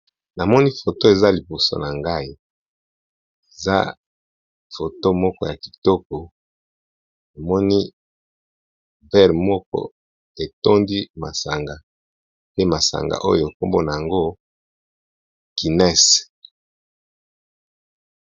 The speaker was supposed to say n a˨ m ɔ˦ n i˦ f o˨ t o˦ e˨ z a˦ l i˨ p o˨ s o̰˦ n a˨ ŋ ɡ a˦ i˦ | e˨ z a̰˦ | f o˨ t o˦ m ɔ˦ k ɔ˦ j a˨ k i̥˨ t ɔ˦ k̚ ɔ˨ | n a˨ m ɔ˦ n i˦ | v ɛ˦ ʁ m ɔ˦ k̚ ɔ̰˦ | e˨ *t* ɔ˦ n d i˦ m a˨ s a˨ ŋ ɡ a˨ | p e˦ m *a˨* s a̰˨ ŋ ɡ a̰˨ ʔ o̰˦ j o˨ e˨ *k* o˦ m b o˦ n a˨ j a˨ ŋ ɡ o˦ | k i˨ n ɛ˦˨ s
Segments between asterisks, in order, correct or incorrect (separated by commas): correct, correct, correct